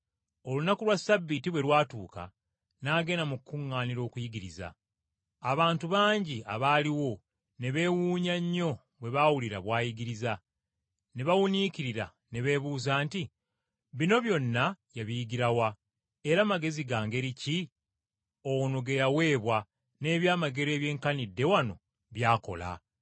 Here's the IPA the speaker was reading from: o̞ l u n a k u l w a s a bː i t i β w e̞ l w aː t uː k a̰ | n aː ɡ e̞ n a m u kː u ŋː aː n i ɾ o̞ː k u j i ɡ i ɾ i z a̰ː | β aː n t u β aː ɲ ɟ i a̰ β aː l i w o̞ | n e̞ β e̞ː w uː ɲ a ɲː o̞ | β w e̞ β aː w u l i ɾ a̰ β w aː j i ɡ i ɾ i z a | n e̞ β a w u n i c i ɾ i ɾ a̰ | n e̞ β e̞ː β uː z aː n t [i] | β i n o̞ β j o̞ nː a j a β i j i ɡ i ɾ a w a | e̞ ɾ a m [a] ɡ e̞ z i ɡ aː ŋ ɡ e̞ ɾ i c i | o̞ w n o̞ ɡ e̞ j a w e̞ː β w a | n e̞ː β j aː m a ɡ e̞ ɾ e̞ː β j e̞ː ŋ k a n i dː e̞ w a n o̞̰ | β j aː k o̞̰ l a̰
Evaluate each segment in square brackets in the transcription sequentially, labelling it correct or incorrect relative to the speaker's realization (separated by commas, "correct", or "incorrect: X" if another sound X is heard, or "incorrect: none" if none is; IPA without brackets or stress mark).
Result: correct, correct